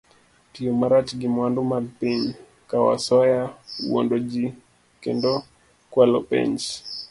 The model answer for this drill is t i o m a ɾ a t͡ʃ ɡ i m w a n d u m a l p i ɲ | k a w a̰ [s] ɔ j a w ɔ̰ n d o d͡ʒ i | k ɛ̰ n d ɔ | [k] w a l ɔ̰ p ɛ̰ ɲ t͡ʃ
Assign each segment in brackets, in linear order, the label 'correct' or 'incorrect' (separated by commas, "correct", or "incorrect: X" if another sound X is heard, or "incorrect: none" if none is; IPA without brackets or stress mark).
correct, correct